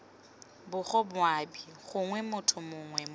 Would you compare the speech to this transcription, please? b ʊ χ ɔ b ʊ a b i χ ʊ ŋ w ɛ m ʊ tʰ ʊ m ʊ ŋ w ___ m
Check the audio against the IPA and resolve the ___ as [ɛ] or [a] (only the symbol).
ɛ